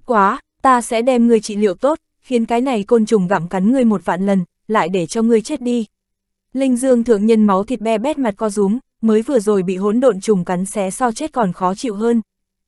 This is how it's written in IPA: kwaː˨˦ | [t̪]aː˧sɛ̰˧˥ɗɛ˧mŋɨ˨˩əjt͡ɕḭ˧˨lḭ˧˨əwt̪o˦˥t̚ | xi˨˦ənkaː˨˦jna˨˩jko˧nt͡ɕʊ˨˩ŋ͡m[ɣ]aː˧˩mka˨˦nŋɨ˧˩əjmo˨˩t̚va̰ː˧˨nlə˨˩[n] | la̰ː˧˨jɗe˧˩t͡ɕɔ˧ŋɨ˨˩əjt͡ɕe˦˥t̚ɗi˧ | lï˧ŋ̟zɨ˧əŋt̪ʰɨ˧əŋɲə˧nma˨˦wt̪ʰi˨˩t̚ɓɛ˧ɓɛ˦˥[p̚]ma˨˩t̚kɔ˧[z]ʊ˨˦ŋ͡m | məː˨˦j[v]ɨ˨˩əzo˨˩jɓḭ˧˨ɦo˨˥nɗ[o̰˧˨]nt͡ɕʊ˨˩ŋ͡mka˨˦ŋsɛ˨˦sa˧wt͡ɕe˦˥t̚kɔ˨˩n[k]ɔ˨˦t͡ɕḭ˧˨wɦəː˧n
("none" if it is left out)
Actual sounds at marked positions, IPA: t̪, ɣ, n, t̚, z, v, o̰˧˨, x

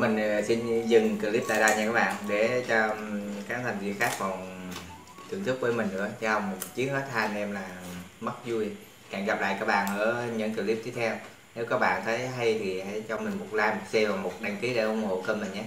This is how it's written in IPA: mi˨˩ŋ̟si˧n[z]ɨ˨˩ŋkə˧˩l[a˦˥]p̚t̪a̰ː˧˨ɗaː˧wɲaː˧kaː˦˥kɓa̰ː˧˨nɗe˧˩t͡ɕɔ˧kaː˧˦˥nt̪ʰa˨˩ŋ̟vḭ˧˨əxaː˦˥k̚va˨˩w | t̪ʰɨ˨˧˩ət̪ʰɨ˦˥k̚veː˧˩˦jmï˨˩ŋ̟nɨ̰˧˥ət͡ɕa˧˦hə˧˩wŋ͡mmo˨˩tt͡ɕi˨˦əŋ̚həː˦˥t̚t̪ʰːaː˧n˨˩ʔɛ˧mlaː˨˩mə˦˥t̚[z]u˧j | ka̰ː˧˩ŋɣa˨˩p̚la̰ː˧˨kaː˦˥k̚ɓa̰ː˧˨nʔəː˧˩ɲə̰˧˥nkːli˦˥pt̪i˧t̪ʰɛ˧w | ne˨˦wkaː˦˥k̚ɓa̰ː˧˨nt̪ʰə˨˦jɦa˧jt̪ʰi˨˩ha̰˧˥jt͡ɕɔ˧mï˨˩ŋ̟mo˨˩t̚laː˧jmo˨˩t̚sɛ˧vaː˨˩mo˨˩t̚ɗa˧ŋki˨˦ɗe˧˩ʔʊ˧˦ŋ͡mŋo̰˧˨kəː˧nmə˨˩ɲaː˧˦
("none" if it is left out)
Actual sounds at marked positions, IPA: z, i˦˥, z

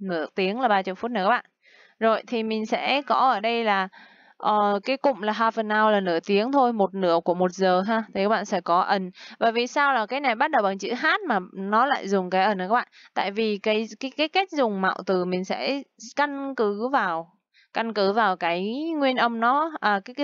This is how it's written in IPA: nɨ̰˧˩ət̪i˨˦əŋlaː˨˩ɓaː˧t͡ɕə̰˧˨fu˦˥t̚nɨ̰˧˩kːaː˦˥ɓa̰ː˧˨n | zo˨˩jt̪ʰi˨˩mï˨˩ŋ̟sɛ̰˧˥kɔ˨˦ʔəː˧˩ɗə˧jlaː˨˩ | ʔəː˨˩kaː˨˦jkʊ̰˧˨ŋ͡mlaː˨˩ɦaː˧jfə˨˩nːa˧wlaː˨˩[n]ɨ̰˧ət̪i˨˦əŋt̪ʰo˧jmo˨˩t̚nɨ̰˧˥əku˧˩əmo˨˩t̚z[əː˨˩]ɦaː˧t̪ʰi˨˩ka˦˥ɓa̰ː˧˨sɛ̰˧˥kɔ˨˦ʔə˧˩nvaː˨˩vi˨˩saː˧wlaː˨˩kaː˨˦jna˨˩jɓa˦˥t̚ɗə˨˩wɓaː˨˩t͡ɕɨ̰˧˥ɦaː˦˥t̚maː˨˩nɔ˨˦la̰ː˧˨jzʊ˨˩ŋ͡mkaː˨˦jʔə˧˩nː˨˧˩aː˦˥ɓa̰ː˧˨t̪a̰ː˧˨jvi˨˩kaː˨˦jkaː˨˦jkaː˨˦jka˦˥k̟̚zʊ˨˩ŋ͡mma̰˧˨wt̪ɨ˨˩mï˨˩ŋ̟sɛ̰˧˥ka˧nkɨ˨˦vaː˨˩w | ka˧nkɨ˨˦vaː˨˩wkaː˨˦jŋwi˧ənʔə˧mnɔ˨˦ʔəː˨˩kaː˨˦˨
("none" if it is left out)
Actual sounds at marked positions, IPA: n, əː˨˩

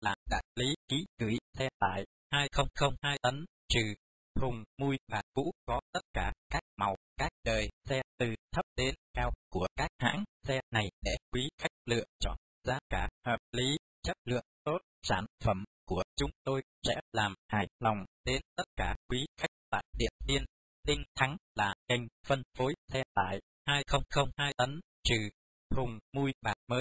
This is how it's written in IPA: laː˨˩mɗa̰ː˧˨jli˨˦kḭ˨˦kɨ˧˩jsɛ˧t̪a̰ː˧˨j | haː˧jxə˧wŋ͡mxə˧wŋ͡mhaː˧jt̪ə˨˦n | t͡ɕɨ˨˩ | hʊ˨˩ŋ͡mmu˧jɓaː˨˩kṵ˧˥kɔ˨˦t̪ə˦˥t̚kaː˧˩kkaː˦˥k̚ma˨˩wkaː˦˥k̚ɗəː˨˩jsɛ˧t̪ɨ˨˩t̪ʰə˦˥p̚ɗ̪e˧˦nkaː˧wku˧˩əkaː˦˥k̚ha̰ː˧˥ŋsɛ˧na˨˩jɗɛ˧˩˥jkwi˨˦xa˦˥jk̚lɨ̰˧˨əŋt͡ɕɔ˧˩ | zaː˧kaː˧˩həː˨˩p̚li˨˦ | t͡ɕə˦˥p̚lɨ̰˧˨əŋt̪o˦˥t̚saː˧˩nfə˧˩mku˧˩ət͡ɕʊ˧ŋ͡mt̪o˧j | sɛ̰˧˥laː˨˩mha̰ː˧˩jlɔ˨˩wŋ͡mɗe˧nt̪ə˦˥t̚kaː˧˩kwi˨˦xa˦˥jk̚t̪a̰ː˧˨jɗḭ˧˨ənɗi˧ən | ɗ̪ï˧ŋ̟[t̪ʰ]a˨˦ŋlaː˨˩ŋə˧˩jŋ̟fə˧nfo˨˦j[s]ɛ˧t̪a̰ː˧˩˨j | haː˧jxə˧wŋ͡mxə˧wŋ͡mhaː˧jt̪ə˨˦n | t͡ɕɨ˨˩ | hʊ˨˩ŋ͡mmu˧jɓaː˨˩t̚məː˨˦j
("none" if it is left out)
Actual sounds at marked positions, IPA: t̪ʰ, s

